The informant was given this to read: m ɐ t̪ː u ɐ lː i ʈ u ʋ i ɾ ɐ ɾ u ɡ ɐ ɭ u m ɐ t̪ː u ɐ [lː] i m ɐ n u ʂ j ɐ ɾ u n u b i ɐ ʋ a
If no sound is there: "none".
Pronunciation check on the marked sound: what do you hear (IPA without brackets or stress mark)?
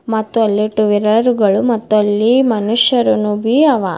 lː